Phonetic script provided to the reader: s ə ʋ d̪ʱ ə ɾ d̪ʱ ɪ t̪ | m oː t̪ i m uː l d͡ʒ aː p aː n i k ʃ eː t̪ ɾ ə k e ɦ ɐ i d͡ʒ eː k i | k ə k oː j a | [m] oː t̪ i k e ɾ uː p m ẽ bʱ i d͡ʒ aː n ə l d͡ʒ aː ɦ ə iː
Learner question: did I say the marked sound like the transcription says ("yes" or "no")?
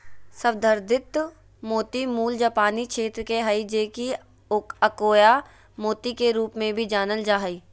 yes